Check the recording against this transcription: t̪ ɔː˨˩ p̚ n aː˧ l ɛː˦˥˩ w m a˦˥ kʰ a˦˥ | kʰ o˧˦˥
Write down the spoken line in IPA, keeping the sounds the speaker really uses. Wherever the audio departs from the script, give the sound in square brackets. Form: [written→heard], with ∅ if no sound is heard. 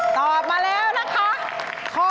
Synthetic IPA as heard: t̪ ɔː˨˩ p̚ [n→m] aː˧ l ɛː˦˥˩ w [m→n] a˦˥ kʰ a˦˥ | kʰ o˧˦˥